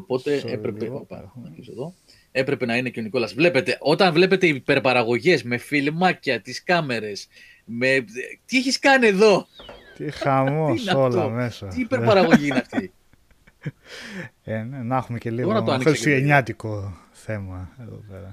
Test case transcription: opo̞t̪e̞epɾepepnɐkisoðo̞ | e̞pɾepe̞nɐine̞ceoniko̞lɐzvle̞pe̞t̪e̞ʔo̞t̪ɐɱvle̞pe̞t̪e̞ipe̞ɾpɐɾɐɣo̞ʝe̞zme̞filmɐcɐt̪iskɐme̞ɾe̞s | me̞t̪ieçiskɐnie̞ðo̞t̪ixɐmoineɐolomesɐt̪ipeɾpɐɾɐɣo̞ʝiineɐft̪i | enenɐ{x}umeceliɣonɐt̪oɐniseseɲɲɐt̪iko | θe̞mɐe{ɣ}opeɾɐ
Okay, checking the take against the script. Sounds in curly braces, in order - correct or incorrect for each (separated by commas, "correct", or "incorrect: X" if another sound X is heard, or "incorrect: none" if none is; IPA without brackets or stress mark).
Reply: correct, incorrect: ð